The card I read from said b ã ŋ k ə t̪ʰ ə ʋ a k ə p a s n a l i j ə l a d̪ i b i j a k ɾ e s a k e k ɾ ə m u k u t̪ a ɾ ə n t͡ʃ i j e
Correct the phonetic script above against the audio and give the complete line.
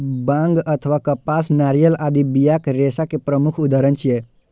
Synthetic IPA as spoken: b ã ŋ ɡ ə t̪ʰ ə ʋ a k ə p a s n a ɾ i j ə l a d̪ i b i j a k ɾ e s a k e p ɾ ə m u kʰ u d̪ a ɾ ə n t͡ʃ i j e